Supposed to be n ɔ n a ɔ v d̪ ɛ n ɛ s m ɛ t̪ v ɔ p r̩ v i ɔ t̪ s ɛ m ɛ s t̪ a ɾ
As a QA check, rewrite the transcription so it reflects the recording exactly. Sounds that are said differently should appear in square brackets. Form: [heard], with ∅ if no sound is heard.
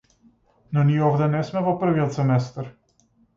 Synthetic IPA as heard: n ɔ n [i] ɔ v d̪ ɛ n ɛ s m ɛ [∅] v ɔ p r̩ v i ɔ t̪ s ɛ m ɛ s t̪ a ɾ